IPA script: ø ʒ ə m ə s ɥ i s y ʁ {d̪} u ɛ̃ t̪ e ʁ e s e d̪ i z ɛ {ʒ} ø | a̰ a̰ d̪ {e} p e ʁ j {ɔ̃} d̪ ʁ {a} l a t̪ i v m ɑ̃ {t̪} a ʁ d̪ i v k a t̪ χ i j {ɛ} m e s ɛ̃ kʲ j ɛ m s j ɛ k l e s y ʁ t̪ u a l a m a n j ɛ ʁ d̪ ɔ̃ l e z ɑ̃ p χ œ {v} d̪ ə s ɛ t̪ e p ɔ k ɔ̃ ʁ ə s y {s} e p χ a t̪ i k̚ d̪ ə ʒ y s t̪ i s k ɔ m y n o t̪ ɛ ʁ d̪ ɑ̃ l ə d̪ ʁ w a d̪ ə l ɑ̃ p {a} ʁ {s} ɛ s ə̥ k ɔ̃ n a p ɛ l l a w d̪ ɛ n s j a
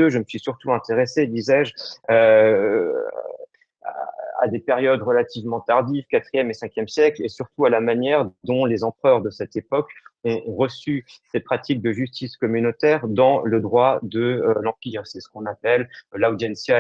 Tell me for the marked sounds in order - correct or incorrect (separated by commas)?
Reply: incorrect, correct, correct, incorrect, incorrect, correct, correct, incorrect, correct, incorrect, correct